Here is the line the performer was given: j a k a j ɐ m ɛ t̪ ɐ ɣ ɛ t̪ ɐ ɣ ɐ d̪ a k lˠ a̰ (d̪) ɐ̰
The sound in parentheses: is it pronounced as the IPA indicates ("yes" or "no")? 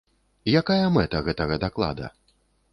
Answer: yes